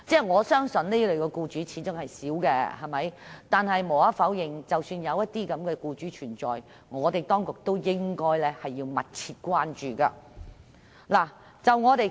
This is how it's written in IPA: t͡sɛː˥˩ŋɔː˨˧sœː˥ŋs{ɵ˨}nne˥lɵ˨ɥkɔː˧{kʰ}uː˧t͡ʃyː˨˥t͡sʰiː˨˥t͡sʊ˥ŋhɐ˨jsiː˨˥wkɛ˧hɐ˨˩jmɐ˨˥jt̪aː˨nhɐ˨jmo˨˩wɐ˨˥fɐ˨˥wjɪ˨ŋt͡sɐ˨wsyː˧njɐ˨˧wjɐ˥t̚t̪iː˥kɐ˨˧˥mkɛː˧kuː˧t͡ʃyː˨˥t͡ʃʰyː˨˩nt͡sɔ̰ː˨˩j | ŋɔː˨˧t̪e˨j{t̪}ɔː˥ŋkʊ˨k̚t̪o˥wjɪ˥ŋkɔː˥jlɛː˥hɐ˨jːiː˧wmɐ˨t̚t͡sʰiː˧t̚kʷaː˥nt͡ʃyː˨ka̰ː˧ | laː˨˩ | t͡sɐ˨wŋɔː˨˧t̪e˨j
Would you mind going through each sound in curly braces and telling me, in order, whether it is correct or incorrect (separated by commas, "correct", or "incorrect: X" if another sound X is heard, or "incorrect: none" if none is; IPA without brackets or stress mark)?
correct, incorrect: k, correct